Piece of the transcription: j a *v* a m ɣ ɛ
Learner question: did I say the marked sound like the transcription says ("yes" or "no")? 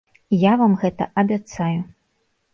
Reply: yes